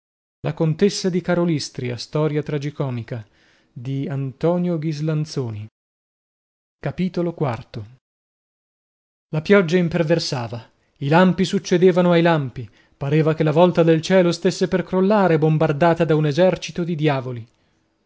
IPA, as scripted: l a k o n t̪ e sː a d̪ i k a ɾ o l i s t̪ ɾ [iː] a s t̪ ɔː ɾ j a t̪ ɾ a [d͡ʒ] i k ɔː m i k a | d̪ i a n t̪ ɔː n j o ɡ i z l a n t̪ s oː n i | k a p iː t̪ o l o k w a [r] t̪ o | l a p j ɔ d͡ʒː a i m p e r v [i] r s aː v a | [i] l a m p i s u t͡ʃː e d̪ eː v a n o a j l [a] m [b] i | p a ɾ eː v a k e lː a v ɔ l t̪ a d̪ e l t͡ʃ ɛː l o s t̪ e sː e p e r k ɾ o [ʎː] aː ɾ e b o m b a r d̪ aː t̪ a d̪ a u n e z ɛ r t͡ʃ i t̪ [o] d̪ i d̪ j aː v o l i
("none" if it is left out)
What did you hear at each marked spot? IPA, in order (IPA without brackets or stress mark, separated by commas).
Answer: i, d͡ʒ, r, e, i, a, p, lː, o